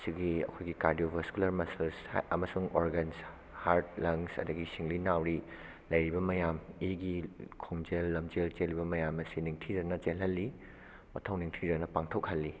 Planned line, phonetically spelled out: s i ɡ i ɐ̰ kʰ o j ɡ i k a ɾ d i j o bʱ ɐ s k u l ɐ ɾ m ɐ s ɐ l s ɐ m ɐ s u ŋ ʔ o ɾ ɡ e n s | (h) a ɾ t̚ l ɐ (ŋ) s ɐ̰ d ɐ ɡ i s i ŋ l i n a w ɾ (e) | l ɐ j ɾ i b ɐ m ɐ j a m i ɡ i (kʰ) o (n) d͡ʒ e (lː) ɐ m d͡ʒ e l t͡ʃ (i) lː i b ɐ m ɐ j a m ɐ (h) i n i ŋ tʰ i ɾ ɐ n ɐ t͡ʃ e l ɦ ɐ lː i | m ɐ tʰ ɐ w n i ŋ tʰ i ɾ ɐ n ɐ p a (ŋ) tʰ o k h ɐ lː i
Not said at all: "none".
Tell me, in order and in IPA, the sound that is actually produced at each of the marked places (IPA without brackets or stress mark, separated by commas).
h, ŋ, i, kʰ, ŋ, lː, e, s, ŋ